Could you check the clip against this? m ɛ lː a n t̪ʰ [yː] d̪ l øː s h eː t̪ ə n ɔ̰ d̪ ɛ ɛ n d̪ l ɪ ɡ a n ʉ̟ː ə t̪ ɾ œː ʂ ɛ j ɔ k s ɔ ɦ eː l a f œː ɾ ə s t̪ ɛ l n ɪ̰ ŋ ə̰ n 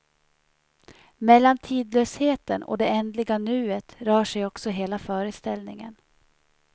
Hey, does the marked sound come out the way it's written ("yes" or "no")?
no